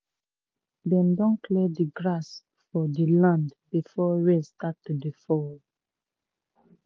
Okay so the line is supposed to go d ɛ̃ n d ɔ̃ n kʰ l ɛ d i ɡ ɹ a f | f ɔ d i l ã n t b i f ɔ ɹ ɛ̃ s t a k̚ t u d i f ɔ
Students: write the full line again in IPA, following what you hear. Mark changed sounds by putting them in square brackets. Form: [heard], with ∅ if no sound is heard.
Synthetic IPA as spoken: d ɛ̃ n d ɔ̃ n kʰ l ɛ d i ɡ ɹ a [s] | f ɔ d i l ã n [d] b i f ɔ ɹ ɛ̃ s t a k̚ t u d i f ɔ